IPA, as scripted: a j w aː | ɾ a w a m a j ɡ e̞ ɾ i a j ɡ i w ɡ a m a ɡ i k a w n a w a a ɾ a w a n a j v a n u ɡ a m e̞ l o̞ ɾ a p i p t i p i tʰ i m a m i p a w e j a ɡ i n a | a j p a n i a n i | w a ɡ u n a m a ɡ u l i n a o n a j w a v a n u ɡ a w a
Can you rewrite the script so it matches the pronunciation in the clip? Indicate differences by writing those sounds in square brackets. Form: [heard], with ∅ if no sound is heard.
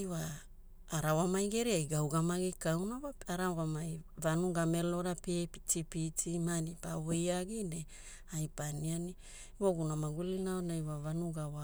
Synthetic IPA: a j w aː | ɾ a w a m a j ɡ e̞ ɾ i a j ɡ [a] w ɡ a m a ɡ i k a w n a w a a ɾ a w a [m] a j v a n u ɡ a m e̞ l o̞ ɾ a p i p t i p i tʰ i m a [n] i p a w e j a ɡ i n [e] | a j p a n i a n i | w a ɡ u n a m a ɡ u l i n a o n a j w a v a n u ɡ a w a